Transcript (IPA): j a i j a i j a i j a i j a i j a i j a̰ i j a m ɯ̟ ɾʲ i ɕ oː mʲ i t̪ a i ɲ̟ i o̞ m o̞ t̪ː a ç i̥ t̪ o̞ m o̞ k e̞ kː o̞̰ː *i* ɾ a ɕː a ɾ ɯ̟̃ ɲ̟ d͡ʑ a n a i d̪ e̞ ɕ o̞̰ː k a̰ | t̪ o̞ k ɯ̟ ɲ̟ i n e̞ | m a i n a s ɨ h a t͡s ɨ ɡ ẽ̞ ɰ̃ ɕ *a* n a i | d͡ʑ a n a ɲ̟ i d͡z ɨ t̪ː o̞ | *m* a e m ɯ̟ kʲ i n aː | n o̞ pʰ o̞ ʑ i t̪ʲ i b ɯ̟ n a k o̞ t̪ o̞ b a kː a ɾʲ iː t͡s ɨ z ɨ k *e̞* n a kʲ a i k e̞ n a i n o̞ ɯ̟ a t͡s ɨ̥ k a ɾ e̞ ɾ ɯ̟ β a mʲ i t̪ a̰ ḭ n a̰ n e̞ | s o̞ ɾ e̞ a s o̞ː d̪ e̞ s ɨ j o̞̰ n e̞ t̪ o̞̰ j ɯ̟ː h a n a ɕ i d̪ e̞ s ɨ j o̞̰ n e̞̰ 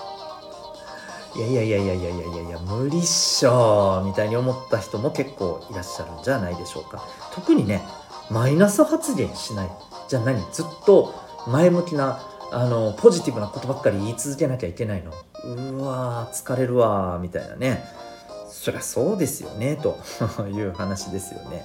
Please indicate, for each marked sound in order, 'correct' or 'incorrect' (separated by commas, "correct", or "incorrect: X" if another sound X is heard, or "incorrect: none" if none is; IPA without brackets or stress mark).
correct, incorrect: i, correct, correct